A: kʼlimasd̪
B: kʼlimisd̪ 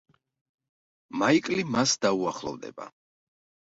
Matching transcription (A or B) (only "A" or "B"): A